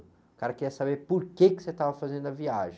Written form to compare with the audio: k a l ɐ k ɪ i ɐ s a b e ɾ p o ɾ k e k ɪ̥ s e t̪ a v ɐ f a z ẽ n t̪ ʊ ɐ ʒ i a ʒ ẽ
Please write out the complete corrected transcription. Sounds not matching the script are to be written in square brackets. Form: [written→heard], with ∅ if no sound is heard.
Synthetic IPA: k a [l→ɾ] ɐ k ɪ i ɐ s a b e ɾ p o ɾ k e k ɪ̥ s e t̪ a v ɐ f a z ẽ n [t̪→d̪] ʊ ɐ [ʒ→v] i a ʒ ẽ